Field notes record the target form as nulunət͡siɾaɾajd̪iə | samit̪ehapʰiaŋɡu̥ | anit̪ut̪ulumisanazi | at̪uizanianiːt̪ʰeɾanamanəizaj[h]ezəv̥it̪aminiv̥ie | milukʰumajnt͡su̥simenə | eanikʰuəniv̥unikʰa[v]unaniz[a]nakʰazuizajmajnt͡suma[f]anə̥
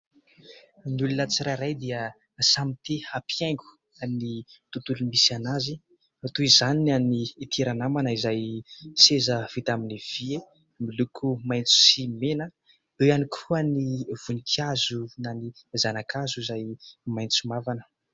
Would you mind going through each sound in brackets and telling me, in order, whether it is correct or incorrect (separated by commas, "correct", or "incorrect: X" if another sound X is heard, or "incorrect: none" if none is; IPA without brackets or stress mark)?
incorrect: s, incorrect: z, correct, incorrect: v